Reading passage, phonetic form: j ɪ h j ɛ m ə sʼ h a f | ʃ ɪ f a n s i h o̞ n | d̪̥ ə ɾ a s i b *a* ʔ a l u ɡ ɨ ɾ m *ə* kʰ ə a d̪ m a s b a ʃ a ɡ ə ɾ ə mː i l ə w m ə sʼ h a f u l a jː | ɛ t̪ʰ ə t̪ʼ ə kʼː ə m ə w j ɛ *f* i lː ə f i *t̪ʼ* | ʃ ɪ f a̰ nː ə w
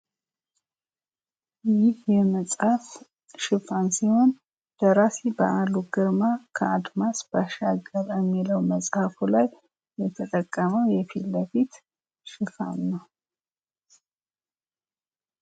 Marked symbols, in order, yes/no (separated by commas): no, no, yes, no